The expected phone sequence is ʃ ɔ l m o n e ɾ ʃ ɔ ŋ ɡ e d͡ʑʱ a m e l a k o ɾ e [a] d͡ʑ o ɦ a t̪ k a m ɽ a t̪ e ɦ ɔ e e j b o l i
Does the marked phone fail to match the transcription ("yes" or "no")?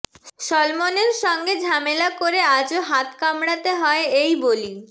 no